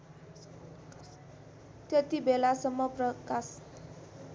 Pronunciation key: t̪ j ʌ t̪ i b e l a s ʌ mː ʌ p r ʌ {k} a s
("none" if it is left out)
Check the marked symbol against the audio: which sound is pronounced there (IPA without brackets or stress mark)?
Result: k